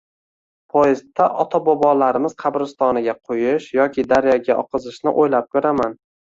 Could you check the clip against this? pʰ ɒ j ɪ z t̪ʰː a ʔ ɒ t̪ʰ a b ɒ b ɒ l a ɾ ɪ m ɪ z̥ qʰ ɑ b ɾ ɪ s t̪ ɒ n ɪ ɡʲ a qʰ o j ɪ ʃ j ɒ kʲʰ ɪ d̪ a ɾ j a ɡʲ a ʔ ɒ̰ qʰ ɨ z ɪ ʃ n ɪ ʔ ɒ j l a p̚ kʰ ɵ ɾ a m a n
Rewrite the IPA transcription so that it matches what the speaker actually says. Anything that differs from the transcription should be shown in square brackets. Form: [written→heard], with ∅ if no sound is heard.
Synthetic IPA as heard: pʰ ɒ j ɪ z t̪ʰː a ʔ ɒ t̪ʰ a b ɒ b ɒ l a ɾ ɪ m ɪ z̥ qʰ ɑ b ɾ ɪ s t̪ ɒ n ɪ ɡʲ a qʰ o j ɪ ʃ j ɒ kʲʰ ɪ d̪ a ɾ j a ɡʲ a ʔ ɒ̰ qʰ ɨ z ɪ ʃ n ɪ ʔ [ɒ→o] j l a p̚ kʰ ɵ ɾ a m a n